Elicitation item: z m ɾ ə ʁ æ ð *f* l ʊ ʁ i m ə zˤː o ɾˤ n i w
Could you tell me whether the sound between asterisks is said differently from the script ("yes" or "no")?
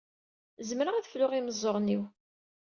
no